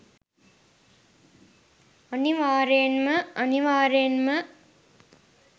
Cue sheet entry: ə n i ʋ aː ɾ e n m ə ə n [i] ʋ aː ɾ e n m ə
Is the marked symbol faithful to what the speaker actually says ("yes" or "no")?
yes